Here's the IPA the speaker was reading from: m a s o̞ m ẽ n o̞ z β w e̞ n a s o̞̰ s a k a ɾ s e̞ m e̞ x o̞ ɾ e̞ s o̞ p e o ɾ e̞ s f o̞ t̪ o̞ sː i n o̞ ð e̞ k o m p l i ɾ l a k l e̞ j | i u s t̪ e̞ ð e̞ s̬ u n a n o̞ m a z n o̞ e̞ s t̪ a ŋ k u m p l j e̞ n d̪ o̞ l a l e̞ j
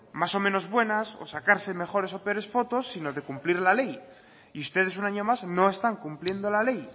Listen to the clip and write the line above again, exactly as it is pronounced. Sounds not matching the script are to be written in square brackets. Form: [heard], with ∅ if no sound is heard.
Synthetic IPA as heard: m a s o̞ m ẽ n o̞ z β w e̞ n a s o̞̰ s a k a ɾ s e̞ m e̞ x o̞ ɾ e̞ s o̞ p e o ɾ e̞ s f o̞ t̪ o̞ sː i n o̞ ð e̞ k [u] m p l i ɾ l a [∅] l e̞ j | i u s t̪ e̞ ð e̞ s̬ u n a [ɲ] o̞ m a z n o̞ e̞ s t̪ a ŋ k u m p l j e̞ n d̪ o̞ l a l e̞ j